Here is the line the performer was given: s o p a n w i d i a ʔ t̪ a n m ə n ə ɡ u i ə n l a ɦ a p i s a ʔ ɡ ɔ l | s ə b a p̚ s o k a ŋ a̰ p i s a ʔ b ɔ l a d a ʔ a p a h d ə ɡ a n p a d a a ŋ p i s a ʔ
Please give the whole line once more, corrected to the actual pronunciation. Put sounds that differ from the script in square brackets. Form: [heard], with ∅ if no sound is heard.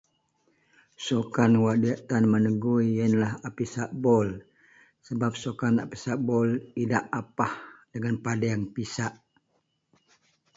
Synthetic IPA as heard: s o [k] a n w [a] d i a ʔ t̪ a n m ə n ə ɡ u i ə n l a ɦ a p i s a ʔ [b] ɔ l | s ə b a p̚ s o k a [n] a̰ p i s a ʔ b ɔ l [i] d a ʔ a p a h d ə [ŋ] a n p a d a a ŋ p i s a ʔ